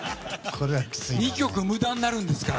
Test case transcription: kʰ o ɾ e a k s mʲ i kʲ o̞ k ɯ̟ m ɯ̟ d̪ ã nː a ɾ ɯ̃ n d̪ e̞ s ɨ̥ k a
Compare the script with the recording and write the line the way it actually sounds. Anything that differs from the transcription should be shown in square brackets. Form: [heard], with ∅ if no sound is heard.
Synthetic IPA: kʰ o ɾ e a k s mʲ i kʲ o̞ k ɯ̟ m ɯ̟ d̪ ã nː a ɾ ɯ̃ n d̪ e̞ s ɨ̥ k a